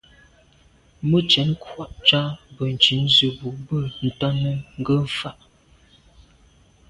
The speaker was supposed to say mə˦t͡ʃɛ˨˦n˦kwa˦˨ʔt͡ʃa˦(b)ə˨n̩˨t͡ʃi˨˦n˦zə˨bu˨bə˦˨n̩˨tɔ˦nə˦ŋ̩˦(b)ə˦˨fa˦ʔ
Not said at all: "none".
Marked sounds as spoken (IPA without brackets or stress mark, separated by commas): b, ɡ